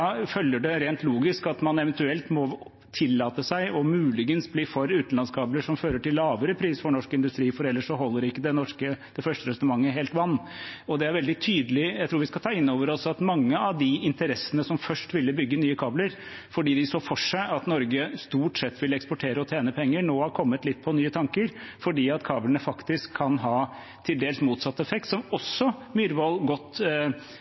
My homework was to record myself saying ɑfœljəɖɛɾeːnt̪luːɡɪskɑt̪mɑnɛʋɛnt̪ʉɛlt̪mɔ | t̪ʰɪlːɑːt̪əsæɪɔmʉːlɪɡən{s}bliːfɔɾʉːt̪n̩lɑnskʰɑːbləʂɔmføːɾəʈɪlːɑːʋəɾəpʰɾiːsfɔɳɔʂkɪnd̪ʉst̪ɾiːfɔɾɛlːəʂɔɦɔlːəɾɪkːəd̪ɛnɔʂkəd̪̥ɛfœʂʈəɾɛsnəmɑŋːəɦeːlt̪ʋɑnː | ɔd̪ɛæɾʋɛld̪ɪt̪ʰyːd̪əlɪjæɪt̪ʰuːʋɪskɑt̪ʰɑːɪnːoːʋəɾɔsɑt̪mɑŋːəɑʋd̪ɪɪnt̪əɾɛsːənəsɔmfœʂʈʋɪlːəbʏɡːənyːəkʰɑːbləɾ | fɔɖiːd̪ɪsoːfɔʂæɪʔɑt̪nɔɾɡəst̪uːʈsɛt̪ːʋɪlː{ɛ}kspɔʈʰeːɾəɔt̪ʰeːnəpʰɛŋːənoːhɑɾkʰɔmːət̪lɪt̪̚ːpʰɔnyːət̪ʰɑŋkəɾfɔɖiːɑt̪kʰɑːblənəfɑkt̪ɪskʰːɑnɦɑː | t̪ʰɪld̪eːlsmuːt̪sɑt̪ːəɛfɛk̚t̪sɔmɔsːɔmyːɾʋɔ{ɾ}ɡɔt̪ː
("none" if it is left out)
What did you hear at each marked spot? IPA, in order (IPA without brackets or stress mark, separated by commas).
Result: s, ɛ, l